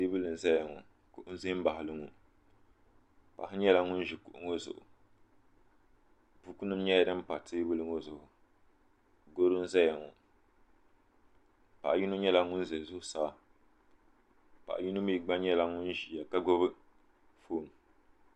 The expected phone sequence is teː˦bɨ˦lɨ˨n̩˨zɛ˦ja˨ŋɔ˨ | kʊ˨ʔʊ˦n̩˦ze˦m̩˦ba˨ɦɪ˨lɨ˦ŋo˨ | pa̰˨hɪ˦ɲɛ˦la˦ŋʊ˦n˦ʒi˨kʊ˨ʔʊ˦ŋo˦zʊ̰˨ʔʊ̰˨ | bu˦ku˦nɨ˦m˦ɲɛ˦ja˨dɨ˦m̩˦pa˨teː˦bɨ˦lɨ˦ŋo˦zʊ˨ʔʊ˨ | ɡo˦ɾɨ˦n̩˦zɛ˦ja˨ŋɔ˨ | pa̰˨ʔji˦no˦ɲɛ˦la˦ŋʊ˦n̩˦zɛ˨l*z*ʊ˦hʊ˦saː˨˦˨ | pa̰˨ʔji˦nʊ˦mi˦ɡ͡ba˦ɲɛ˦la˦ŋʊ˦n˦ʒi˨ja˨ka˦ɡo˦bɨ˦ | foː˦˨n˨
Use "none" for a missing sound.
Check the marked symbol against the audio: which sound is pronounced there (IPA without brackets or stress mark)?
z